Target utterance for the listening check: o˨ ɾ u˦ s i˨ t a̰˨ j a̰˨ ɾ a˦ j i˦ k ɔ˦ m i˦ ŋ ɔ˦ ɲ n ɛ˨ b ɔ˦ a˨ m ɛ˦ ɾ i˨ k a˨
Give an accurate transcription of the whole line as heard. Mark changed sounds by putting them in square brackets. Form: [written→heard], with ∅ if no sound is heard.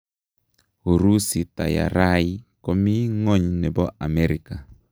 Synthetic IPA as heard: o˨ ɾ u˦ s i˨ t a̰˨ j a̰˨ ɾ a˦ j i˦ k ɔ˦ m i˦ ŋ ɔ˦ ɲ n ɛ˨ b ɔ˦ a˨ m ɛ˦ ɾ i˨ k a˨